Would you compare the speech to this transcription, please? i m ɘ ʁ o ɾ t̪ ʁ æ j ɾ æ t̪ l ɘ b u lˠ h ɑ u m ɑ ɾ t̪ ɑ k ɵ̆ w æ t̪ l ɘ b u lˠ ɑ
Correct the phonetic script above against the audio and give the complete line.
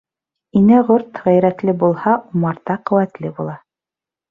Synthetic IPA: i n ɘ ʁ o ɾ t̪ ʁ æ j ɾ æ t̪ l ɘ b u lˠ h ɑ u m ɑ ɾ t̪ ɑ q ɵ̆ w æ t̪ l ɘ b u lˠ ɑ